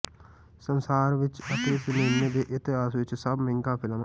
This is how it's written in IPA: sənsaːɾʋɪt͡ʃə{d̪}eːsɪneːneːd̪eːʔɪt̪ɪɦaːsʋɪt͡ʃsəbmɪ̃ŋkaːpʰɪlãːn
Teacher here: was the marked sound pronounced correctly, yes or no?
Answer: no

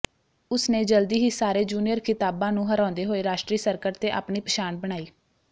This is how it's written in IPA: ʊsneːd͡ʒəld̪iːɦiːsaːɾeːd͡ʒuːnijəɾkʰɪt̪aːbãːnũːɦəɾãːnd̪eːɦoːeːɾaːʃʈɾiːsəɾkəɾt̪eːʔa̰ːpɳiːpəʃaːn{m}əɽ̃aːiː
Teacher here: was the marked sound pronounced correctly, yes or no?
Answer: no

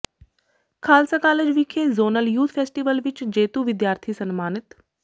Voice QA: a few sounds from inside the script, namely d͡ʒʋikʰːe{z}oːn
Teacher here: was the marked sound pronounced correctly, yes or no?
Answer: yes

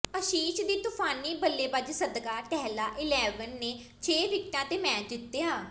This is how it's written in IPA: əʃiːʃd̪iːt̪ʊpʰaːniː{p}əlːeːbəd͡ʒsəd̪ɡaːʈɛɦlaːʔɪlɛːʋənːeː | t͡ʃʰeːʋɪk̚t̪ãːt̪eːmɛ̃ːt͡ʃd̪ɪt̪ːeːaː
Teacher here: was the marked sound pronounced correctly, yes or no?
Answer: no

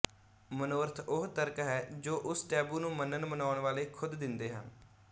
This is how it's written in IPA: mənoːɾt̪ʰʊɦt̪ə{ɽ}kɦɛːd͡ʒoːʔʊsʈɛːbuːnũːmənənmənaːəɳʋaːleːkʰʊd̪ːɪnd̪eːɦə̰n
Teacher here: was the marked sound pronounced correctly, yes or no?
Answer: no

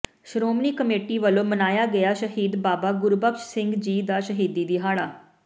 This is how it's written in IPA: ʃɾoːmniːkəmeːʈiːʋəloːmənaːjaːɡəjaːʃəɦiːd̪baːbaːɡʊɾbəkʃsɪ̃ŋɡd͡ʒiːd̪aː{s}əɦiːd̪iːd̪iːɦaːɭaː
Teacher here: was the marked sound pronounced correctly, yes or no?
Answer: no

